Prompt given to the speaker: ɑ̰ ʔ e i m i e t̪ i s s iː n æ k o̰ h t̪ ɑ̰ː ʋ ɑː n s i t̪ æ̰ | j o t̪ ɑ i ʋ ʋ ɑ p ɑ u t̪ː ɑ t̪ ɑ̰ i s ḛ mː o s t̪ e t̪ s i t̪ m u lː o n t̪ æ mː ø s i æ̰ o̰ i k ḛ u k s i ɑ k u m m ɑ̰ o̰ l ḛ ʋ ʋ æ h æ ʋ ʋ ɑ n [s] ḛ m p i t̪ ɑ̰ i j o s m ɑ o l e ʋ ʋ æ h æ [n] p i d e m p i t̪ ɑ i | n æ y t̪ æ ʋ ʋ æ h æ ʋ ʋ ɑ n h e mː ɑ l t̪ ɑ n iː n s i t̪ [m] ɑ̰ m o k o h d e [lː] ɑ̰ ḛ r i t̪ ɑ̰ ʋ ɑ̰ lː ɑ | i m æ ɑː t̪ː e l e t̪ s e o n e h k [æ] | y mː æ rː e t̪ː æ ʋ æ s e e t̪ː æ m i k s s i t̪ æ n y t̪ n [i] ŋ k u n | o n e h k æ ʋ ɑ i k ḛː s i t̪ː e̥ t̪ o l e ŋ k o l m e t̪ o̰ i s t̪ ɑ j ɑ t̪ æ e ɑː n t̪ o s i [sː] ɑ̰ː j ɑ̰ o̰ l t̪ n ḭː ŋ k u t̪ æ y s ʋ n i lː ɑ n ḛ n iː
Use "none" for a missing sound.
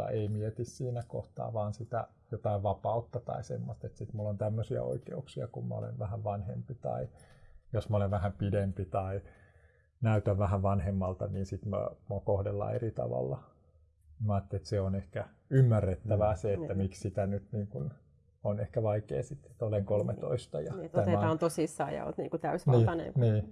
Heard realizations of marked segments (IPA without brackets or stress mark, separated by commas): h, m, m, lː, æ, iː, sː